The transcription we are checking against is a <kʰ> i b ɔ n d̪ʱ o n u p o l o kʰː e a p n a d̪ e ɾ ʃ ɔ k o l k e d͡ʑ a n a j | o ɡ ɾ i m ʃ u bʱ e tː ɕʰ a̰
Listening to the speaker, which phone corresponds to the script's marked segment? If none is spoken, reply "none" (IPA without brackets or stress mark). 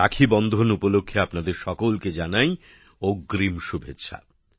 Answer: kʰ